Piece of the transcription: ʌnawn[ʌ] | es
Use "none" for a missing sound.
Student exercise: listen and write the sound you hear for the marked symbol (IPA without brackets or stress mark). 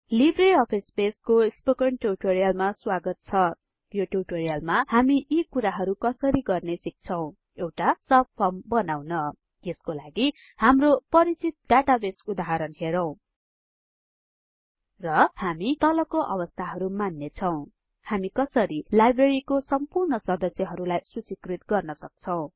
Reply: ʌ